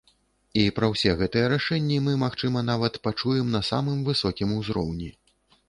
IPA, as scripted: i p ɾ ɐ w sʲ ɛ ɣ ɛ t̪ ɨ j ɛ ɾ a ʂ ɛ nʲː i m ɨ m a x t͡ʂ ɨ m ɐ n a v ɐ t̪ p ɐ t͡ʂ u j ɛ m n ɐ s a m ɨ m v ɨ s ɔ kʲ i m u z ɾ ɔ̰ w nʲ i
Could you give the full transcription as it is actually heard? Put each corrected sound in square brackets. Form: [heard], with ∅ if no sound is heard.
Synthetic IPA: i p ɾ ɐ w sʲ ɛ ɣ ɛ t̪ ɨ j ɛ ɾ a ʂ ɛ nʲː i m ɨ m a x t͡ʂ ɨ m ɐ n a v ɐ t̪ p [a] t͡ʂ u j ɛ m n ɐ s a m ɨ m v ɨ s ɔ kʲ i m u z ɾ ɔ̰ w nʲ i